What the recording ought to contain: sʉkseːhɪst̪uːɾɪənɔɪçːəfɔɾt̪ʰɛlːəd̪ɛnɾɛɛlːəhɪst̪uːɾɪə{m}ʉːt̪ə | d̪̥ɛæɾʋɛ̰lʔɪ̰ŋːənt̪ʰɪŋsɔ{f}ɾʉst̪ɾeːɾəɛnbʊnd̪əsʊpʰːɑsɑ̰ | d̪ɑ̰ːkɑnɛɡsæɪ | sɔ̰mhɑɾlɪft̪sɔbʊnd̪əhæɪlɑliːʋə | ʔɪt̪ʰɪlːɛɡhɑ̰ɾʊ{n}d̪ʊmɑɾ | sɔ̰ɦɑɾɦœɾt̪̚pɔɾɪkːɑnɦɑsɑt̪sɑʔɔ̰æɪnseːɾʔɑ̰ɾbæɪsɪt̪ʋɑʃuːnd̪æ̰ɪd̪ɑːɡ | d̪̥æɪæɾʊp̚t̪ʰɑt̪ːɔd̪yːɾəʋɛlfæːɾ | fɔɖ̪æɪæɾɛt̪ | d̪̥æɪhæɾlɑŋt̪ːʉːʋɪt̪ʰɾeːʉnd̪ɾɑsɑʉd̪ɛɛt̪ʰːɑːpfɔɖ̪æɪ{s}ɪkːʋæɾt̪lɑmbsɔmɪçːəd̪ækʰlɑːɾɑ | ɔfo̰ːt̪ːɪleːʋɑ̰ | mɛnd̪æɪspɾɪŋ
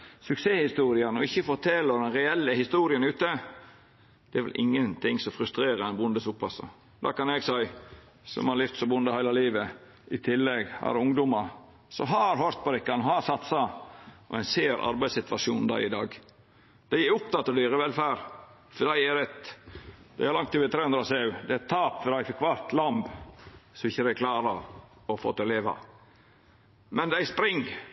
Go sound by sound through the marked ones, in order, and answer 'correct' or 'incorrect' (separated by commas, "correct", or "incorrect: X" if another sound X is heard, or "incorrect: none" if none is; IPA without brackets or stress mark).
incorrect: n, correct, incorrect: ŋ, incorrect: f